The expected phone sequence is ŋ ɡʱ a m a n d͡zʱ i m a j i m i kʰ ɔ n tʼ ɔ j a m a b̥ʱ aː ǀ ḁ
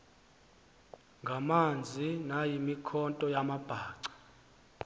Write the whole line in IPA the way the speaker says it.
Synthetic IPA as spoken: ŋ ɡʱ a m a n d͡zʱ i n a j i m i kʰ ɔ n tʼ ɔ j a m a b̥ʱ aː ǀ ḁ